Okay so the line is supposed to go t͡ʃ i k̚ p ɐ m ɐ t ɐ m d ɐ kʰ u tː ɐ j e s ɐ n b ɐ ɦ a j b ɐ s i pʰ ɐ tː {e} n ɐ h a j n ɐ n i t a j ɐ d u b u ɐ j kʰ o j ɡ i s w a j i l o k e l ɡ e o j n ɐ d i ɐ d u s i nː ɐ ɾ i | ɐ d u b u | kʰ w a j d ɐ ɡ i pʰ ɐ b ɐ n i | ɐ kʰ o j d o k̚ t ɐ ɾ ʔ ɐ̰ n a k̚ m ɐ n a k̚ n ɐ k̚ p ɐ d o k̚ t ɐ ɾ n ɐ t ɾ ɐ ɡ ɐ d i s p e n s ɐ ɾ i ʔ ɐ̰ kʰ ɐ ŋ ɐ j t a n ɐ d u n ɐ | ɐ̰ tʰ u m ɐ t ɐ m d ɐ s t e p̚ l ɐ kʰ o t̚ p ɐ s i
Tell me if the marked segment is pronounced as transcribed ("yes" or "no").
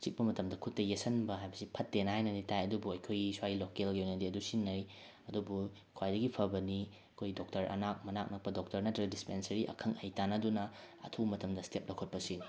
yes